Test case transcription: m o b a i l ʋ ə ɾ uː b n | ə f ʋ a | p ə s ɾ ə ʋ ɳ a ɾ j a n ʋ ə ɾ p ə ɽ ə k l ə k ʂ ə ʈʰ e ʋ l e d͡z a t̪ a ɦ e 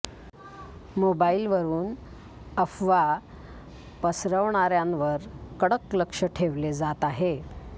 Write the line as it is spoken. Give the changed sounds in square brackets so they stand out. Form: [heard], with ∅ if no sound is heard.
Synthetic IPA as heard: m o b a i l ʋ ə ɾ uː [∅] n | ə f ʋ a | p ə s ɾ ə ʋ ɳ a ɾ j a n ʋ ə ɾ [k] ə ɽ ə k l ə k ʂ ə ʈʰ e ʋ l e d͡z a t̪ a ɦ e